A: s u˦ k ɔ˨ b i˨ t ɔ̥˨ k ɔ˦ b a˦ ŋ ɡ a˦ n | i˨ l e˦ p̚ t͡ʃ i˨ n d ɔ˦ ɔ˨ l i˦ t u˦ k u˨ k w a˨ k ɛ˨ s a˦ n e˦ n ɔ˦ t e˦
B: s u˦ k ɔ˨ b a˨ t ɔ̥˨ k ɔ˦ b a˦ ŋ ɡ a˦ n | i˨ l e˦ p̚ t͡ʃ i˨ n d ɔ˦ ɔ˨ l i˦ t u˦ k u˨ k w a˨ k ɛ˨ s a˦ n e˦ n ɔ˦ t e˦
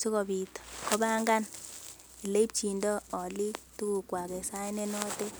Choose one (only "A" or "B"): A